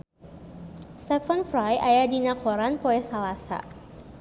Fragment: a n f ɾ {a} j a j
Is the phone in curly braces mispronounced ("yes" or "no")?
no